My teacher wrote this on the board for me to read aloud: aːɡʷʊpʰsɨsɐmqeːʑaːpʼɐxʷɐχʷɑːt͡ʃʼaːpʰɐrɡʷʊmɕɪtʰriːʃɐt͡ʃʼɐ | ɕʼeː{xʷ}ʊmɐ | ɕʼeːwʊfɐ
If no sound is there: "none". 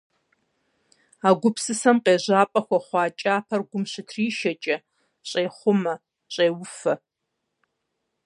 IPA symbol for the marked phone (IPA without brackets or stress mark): χʷ